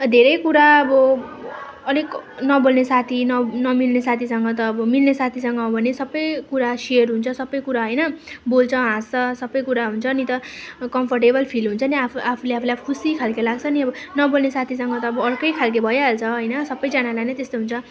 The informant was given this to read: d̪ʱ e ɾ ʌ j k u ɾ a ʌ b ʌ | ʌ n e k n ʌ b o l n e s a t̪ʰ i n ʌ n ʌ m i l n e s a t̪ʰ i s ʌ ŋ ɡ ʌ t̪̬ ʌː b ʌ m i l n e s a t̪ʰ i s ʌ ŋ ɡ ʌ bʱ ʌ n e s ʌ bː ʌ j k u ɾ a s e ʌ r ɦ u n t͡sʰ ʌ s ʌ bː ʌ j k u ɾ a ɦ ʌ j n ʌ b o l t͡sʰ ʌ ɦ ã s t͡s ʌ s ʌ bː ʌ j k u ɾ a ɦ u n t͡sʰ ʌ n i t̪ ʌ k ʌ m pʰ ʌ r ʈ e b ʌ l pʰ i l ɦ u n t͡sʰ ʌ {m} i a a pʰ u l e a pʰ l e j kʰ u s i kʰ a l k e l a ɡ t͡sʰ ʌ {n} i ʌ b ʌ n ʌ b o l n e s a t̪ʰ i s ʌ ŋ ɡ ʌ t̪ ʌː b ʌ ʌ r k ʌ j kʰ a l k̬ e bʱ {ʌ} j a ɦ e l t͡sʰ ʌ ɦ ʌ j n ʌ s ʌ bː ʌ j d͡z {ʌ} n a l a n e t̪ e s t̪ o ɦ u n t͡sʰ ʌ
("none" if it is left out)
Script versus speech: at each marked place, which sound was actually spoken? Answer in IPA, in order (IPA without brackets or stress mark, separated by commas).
n, n, ʌ, a